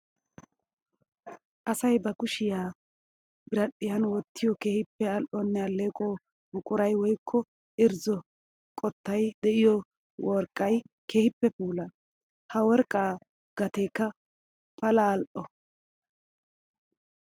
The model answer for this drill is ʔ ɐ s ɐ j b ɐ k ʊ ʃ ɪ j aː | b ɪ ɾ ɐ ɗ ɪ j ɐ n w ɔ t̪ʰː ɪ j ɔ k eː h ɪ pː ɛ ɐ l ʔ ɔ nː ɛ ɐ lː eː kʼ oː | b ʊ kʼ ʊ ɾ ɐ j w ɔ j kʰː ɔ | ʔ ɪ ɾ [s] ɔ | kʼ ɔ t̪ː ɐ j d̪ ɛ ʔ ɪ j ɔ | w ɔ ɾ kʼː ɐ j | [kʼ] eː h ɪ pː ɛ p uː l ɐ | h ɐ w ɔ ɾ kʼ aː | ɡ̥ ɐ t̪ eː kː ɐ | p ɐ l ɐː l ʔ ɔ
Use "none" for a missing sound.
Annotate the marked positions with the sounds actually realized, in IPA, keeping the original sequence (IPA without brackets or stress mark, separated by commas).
z, k